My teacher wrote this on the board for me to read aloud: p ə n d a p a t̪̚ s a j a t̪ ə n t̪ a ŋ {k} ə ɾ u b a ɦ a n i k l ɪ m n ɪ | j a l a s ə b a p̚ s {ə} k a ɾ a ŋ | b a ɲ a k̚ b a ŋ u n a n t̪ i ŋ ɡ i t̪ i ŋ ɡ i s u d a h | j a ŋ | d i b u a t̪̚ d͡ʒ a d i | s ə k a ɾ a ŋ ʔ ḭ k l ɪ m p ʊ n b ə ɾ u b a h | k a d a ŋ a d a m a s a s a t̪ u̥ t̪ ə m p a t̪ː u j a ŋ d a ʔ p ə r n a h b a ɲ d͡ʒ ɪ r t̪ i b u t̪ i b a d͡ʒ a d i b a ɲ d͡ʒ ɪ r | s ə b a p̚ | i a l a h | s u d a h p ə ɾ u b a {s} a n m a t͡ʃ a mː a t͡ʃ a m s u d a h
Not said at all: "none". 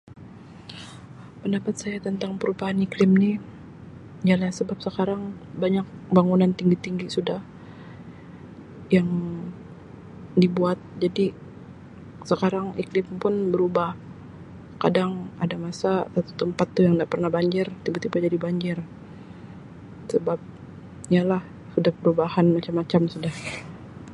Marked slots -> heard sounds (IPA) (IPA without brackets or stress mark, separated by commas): p, ə, h